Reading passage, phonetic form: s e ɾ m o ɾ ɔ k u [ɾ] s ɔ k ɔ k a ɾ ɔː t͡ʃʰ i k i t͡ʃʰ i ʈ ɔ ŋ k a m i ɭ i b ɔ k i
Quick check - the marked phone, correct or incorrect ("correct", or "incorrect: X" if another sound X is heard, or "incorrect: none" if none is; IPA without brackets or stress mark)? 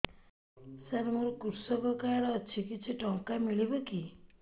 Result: correct